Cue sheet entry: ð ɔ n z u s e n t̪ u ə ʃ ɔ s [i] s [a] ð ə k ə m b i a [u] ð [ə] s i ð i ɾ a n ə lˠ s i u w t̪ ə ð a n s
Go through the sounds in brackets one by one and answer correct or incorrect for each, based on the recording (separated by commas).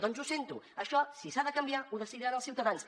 correct, correct, correct, correct